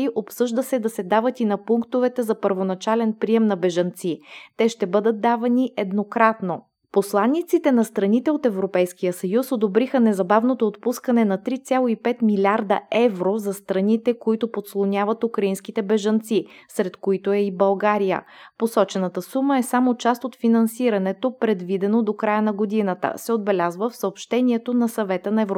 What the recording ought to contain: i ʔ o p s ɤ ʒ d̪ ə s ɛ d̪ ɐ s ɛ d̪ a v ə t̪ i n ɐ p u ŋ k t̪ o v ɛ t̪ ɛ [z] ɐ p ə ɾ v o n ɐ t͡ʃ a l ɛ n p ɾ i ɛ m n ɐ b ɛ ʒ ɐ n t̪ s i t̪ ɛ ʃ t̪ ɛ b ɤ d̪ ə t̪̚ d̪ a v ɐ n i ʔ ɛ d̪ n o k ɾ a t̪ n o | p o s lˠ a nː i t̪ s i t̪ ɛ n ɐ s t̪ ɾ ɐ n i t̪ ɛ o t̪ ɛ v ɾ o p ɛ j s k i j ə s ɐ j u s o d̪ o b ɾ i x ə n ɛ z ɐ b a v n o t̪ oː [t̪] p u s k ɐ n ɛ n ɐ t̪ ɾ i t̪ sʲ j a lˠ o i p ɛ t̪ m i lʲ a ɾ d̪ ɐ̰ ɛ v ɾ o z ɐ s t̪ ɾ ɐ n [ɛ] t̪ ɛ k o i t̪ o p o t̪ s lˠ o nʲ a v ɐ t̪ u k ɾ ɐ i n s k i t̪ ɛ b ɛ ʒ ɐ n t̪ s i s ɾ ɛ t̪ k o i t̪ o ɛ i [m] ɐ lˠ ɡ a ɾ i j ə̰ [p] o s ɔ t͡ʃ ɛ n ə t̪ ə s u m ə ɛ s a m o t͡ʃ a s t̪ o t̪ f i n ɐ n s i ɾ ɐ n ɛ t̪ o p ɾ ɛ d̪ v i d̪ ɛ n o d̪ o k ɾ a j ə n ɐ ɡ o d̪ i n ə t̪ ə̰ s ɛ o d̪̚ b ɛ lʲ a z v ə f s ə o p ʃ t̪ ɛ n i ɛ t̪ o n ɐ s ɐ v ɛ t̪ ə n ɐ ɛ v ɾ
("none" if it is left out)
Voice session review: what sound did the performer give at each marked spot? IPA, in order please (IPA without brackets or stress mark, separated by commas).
z, t̪, i, b, p